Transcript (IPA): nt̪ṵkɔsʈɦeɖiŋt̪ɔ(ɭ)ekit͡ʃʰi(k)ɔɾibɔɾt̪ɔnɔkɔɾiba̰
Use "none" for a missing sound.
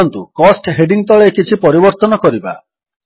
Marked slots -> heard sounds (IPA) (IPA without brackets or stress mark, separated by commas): ɭ, p